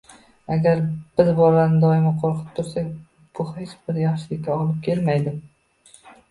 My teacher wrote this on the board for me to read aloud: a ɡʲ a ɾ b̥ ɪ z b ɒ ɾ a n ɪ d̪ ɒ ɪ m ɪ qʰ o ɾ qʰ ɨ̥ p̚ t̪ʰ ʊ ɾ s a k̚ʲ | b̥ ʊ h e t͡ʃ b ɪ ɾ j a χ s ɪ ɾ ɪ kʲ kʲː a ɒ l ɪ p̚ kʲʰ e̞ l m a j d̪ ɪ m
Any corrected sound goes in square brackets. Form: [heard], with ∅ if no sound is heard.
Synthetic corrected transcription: a ɡʲ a ɾ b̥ ɪ z b ɒ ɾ a n ɪ d̪ ɒ ɪ m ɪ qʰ o ɾ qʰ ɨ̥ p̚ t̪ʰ ʊ ɾ s a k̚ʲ | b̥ ʊ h e t͡ʃ b ɪ ɾ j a χ [ʃ] ɪ [l] ɪ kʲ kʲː a ɒ l ɪ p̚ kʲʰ e̞ l m a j d̪ ɪ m